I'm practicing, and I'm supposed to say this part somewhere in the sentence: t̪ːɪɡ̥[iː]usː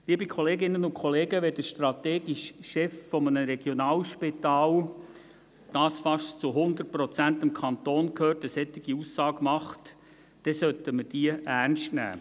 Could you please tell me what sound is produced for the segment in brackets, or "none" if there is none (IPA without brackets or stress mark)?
i